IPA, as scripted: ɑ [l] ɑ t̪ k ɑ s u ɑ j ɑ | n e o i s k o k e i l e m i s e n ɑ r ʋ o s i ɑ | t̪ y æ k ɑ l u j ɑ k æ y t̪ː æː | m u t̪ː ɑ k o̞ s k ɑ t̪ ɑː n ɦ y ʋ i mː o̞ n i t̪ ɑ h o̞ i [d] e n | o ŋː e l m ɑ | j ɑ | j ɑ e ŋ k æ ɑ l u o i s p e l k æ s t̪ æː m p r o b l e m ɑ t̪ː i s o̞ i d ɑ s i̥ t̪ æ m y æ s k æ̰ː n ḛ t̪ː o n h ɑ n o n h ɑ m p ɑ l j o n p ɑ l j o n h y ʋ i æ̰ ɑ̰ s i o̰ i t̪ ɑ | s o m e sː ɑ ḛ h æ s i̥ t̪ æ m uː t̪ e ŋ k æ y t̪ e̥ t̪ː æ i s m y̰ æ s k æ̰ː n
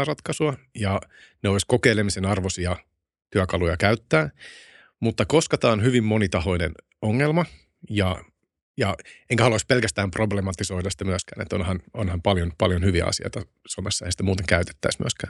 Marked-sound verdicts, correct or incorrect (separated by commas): incorrect, incorrect